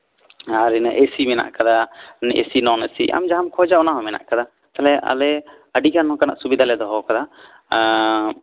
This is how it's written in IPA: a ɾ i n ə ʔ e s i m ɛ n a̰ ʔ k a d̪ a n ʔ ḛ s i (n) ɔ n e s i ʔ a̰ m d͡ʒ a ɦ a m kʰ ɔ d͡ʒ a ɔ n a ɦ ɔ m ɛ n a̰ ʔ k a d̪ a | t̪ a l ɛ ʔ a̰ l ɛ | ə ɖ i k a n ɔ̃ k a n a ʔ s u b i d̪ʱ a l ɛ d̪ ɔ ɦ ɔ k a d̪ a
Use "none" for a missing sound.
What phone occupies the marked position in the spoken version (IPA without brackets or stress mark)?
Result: n